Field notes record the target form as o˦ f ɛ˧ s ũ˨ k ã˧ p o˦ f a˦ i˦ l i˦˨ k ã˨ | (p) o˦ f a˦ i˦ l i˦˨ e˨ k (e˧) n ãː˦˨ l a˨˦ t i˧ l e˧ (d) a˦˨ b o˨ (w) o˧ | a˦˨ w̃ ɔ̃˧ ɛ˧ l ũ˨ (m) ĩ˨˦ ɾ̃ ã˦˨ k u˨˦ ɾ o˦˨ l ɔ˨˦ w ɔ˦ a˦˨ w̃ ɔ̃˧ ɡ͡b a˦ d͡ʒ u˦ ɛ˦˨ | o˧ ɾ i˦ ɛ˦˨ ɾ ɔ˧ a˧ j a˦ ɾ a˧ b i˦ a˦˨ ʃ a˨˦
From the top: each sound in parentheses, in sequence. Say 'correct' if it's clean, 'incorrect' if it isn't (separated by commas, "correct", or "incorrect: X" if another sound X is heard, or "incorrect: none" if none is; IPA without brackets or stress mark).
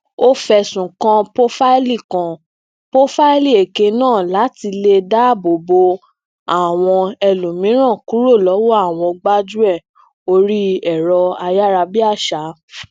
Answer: correct, correct, correct, incorrect: b, correct